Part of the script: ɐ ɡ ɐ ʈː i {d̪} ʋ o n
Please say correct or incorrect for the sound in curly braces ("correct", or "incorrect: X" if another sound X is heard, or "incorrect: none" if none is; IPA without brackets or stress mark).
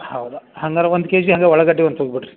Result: incorrect: none